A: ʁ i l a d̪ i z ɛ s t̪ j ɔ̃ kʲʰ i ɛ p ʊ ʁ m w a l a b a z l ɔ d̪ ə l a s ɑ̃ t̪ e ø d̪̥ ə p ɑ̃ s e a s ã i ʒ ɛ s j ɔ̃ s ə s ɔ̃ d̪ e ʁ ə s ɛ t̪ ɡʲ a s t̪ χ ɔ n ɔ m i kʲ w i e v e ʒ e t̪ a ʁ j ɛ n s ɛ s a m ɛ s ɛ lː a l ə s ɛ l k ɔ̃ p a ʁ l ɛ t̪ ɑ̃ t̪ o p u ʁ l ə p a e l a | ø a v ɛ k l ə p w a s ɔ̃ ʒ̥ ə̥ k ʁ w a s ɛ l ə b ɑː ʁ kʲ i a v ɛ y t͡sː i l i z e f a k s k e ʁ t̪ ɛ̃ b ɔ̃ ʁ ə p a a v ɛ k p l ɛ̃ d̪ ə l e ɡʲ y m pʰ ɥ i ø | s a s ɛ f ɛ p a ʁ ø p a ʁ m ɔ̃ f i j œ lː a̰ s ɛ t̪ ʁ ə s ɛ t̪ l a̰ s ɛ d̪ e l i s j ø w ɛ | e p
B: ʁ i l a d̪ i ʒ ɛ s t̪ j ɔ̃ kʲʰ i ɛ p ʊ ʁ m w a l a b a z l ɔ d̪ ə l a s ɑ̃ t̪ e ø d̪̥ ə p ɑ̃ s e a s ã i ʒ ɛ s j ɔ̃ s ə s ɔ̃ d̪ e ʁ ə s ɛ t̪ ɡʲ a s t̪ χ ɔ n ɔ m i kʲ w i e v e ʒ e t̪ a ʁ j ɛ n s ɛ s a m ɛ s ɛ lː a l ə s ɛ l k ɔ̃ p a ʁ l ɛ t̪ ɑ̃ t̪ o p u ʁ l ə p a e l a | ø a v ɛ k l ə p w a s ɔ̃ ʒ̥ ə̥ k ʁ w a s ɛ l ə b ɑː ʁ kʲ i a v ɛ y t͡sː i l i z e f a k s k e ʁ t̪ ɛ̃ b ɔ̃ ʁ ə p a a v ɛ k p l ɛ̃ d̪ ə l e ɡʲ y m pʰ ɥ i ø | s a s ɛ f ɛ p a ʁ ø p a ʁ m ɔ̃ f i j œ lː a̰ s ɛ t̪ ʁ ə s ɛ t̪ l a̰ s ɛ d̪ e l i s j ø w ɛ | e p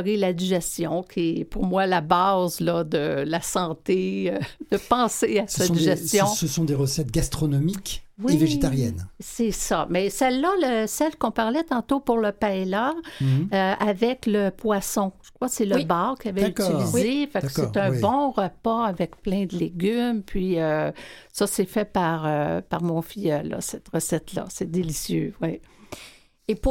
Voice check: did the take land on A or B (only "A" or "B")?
B